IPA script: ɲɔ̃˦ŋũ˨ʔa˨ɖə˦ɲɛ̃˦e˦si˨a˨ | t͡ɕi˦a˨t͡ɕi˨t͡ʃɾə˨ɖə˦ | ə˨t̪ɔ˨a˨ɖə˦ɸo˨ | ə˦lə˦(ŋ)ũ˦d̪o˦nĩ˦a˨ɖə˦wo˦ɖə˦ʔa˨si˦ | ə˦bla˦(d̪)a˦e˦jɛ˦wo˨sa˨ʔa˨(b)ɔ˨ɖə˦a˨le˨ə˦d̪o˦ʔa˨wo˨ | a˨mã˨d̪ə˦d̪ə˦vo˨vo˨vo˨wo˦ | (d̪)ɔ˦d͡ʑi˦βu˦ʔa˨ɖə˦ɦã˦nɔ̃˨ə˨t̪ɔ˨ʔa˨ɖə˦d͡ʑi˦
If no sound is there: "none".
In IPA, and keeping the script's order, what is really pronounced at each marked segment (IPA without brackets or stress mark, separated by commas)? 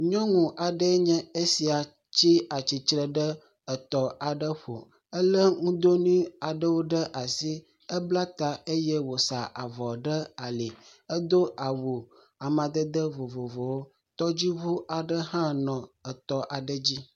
ŋ, t̪, v, t̪